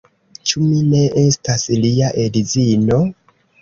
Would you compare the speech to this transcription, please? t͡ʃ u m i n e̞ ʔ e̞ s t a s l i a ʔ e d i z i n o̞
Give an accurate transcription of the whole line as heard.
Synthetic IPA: t͡ʃ u m i n e̞ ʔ e̞ s t a s l i a ʔ e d i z i n o̞